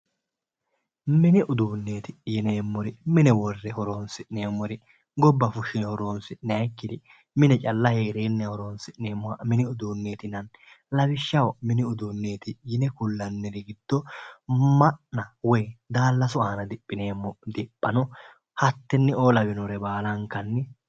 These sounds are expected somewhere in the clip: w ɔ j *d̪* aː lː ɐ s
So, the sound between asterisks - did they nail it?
yes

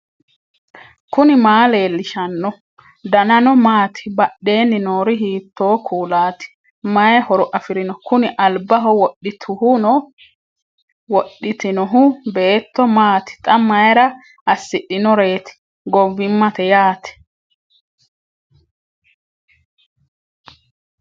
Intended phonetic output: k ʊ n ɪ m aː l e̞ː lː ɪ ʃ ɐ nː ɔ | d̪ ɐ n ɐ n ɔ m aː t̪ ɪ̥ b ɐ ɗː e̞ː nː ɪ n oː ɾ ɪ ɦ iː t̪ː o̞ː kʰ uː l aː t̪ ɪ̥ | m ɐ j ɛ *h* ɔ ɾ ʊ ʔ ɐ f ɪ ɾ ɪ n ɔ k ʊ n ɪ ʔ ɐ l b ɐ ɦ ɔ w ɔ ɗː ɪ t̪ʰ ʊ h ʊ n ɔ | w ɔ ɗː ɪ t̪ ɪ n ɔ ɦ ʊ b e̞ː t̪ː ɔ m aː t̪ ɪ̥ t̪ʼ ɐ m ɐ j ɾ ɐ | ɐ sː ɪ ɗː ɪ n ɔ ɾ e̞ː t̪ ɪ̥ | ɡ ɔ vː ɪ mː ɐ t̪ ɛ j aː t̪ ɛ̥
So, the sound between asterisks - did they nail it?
yes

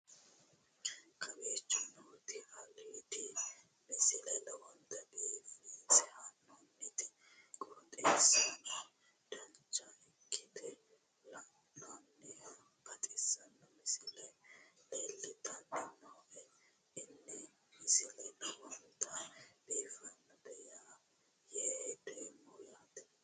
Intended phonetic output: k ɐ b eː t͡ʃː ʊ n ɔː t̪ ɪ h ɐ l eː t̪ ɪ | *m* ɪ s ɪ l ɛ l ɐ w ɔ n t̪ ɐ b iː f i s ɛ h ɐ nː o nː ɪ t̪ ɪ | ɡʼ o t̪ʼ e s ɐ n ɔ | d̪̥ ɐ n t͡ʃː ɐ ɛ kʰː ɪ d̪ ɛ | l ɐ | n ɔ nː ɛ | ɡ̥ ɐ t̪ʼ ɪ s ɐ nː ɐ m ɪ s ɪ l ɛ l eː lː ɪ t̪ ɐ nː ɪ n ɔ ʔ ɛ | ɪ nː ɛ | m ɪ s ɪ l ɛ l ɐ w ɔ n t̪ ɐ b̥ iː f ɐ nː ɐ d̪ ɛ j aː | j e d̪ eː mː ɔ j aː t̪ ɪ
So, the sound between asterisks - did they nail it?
yes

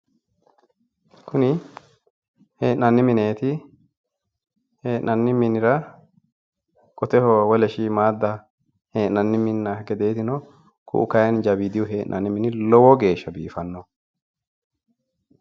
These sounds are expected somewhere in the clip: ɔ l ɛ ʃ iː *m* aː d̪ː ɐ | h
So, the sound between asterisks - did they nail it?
yes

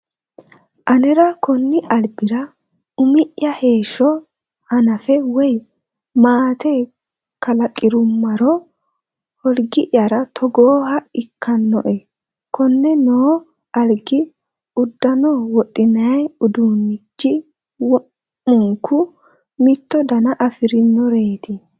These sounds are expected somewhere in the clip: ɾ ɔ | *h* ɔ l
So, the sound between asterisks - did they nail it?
yes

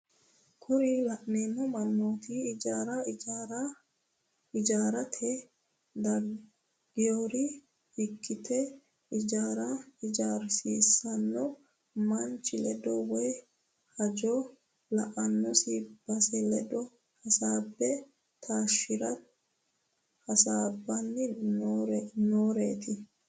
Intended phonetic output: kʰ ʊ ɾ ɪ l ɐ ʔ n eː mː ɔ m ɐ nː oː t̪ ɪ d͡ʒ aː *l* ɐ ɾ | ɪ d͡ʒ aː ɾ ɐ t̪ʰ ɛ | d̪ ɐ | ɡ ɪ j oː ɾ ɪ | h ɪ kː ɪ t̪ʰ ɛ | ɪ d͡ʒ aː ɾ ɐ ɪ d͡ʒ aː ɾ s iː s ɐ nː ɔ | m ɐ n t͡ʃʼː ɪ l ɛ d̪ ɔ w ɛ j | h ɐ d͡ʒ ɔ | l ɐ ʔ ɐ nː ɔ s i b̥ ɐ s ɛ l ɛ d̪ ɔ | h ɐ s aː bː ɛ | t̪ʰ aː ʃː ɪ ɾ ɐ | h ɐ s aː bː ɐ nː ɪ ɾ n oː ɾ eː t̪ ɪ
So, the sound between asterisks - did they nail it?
no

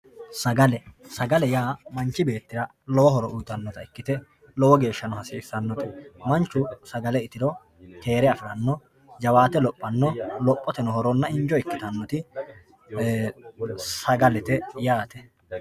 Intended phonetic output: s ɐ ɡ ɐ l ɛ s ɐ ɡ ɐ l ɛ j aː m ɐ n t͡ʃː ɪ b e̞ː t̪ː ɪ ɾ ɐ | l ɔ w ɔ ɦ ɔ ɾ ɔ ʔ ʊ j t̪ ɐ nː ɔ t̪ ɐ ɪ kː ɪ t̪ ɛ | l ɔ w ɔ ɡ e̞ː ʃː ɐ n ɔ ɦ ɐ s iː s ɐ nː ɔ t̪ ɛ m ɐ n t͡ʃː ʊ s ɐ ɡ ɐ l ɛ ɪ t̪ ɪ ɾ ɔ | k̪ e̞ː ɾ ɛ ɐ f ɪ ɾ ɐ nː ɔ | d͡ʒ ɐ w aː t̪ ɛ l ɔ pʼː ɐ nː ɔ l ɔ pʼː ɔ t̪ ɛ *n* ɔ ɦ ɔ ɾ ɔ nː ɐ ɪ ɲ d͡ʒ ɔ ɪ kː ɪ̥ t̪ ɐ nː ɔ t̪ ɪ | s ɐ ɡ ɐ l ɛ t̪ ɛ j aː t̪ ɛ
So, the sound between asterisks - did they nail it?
yes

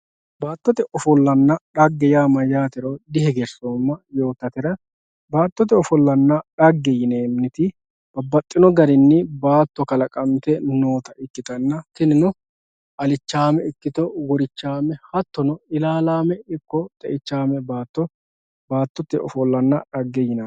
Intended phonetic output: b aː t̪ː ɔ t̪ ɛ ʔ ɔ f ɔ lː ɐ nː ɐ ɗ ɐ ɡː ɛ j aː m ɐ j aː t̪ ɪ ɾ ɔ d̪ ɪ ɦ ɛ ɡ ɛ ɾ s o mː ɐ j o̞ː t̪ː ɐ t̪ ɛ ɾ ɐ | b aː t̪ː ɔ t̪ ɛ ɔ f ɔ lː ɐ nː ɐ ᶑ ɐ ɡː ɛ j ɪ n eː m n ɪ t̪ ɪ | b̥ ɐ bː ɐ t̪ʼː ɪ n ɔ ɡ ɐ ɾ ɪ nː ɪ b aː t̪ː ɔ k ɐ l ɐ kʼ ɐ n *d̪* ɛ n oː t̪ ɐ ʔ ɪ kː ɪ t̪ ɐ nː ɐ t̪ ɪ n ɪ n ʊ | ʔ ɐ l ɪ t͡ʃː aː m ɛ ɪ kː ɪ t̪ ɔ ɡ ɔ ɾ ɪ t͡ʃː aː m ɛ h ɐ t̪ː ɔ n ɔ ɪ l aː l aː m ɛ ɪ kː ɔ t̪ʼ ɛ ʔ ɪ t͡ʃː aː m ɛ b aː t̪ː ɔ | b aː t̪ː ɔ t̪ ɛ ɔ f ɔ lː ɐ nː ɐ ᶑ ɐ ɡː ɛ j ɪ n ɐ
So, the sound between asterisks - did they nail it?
no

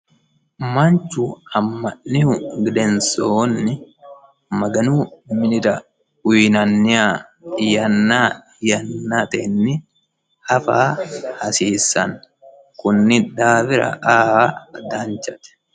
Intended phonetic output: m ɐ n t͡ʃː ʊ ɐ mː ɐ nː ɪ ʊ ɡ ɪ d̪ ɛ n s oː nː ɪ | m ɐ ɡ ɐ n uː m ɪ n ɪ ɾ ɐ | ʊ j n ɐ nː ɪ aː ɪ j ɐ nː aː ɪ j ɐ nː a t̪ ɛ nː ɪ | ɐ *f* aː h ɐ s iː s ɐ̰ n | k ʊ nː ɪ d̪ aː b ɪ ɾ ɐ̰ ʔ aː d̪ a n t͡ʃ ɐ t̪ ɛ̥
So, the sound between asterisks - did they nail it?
yes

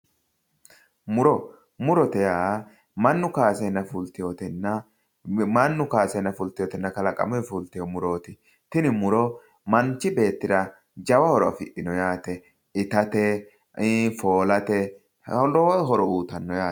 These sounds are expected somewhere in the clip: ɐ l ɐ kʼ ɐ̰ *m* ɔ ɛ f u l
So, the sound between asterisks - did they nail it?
yes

